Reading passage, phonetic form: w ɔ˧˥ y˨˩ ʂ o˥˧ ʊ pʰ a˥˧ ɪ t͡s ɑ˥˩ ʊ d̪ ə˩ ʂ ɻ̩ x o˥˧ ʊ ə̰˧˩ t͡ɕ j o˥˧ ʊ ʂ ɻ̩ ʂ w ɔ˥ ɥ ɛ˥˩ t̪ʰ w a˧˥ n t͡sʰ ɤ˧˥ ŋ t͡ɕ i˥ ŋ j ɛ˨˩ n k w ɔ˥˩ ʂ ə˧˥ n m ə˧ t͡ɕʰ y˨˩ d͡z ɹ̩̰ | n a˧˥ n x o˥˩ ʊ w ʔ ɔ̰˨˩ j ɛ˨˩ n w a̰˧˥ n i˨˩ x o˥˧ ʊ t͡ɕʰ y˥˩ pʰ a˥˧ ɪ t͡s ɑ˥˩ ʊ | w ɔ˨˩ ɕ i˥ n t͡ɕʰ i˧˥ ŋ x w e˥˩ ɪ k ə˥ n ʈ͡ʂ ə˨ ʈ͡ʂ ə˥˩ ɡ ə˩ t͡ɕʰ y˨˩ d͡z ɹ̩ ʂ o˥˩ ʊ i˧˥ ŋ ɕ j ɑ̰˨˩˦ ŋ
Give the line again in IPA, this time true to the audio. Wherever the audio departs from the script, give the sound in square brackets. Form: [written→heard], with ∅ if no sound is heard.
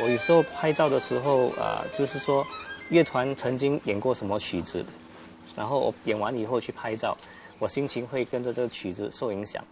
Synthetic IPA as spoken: w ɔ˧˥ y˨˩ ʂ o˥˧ ʊ pʰ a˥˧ ɪ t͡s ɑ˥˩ ʊ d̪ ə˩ ʂ ɻ̩ x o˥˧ ʊ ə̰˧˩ t͡ɕ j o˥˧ ʊ ʂ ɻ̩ ʂ w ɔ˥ ɥ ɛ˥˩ t̪ʰ w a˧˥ n t͡sʰ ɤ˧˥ ŋ t͡ɕ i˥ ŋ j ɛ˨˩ n k w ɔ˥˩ ʂ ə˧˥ n m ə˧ t͡ɕʰ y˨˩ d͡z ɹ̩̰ | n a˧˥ n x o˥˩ ʊ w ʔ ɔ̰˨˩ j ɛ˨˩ n w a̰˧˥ n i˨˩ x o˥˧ ʊ t͡ɕʰ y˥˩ pʰ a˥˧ ɪ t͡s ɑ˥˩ ʊ | w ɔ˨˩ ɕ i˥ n t͡ɕʰ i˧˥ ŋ x w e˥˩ ɪ k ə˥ n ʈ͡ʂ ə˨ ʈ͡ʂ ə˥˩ ɡ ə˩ t͡ɕʰ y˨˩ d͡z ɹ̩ ʂ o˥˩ ʊ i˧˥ ŋ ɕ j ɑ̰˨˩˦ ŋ